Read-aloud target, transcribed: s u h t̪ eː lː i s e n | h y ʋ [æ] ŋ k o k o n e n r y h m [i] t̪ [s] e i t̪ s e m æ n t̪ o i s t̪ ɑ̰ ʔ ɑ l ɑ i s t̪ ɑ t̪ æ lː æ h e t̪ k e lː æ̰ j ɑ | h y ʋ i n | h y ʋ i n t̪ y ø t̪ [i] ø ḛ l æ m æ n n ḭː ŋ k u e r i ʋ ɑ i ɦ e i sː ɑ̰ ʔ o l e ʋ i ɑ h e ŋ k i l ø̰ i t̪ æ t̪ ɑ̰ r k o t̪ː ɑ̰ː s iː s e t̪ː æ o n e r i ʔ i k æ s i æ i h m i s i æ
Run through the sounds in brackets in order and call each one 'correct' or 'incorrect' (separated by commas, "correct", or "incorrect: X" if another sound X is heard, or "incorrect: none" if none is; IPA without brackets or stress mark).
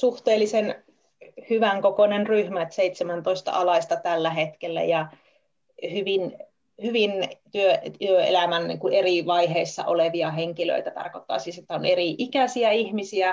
correct, incorrect: æ, correct, incorrect: y